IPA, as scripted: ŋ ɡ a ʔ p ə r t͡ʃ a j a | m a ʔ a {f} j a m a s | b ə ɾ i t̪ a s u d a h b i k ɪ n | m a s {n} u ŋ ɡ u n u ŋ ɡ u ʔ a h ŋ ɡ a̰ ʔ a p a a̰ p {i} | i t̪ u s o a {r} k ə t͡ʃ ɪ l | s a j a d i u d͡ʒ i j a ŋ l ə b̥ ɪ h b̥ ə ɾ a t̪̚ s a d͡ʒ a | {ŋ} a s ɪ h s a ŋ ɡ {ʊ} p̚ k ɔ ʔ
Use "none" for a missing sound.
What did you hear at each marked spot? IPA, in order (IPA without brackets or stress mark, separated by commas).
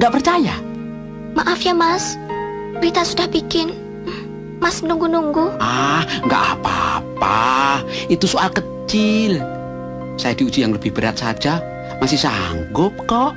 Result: f, n, a, l, m, ʊ